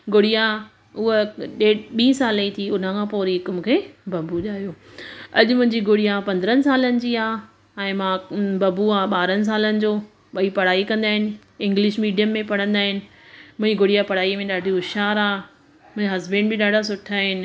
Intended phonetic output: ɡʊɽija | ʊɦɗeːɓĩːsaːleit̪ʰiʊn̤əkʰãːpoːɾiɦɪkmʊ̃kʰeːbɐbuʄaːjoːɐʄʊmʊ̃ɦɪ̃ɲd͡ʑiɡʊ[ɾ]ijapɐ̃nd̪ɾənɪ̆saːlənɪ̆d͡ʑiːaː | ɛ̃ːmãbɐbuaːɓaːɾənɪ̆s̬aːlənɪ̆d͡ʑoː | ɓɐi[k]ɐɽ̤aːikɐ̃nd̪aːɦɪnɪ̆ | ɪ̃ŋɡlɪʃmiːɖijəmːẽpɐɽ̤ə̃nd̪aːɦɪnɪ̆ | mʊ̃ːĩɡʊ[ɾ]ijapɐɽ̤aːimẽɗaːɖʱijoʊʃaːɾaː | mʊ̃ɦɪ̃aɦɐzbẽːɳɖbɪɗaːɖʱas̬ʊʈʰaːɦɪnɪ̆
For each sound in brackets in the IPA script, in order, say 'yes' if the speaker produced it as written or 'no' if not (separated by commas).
no, no, no